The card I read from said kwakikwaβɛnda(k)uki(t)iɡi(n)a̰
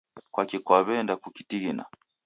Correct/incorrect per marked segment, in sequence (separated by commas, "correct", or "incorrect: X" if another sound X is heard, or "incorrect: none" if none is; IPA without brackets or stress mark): correct, correct, correct